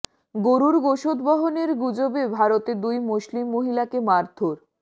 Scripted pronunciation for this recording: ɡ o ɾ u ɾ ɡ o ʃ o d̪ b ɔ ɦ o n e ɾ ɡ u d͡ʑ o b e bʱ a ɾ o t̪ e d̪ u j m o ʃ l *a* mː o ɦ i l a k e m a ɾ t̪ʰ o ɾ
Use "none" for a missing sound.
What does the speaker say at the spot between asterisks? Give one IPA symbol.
i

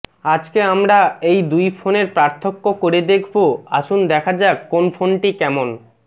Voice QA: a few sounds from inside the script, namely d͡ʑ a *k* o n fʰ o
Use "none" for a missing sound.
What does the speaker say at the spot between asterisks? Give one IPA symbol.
k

